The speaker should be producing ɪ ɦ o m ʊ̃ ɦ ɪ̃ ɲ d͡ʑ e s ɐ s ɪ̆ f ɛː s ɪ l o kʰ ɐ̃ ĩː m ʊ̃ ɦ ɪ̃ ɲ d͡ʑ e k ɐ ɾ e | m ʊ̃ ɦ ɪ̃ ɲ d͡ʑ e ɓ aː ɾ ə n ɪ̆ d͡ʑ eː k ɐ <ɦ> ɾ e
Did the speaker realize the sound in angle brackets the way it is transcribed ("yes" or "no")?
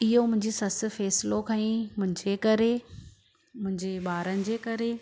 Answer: no